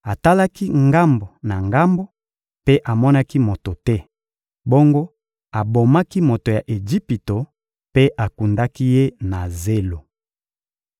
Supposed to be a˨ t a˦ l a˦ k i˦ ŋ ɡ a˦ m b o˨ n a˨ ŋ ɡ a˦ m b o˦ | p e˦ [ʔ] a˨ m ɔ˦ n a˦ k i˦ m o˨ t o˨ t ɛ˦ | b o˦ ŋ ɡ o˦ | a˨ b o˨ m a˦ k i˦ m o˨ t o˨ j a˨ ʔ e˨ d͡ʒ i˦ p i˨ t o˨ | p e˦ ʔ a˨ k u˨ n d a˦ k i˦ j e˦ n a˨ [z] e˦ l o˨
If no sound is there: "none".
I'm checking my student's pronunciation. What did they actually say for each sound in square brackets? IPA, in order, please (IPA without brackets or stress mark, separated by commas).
ʔ, z